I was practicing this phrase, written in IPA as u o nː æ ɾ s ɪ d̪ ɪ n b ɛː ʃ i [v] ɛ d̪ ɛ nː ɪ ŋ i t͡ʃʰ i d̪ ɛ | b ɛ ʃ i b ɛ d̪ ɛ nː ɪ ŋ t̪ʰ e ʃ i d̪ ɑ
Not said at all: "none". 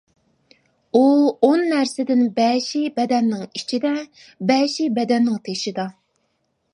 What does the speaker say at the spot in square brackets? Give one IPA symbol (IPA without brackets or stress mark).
b